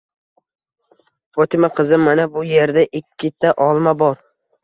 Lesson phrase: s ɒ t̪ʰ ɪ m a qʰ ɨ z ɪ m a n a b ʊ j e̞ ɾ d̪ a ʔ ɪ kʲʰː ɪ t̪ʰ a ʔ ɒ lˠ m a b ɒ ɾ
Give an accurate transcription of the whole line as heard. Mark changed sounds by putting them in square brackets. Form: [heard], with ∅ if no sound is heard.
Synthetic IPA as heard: [f] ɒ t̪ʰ ɪ m a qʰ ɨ z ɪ m a n a b ʊ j e̞ ɾ d̪ a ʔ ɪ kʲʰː ɪ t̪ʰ a ʔ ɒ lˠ m a b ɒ ɾ